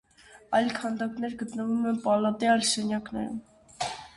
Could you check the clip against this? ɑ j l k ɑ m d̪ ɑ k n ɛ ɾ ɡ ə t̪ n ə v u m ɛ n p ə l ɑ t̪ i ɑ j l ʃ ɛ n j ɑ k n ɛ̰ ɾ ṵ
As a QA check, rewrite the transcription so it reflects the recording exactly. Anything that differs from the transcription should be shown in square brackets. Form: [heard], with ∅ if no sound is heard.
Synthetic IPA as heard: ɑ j l [kʰ] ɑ [n] d̪ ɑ k n ɛ ɾ ɡ ə t̪ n ə v u m ɛ n p [ɑ] l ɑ t̪ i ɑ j l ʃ ɛ n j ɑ k n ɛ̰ ɾ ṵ